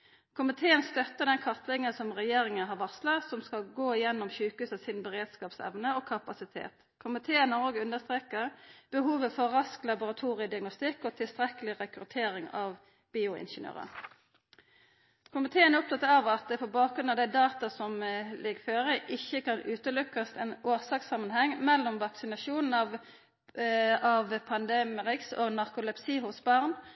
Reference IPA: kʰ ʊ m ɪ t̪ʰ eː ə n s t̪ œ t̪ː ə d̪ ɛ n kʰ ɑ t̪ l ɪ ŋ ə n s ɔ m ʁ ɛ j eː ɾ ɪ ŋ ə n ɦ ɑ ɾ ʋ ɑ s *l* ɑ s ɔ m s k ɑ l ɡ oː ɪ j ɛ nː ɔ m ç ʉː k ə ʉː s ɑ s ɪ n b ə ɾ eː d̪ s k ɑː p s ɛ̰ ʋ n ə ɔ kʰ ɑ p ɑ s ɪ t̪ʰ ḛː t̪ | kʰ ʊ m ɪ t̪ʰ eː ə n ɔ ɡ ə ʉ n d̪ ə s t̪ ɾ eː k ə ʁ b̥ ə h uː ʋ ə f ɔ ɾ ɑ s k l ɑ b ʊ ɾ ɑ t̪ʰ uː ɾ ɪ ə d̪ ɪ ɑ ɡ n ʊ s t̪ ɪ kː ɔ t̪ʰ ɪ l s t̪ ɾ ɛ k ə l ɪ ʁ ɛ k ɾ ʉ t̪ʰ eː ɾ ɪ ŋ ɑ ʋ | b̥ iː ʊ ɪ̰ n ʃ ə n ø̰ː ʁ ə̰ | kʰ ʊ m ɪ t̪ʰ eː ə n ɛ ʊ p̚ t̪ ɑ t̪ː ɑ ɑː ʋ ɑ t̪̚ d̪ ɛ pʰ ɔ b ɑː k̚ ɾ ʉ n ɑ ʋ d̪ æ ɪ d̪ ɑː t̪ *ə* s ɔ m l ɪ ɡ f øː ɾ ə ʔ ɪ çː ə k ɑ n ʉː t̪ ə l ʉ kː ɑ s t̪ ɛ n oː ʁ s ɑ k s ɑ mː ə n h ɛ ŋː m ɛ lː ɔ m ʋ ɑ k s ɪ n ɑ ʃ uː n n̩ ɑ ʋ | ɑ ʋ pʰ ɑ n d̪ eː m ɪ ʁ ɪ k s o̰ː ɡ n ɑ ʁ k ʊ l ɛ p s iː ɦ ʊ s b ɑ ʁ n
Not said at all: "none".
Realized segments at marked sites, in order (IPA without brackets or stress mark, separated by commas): l, ɑ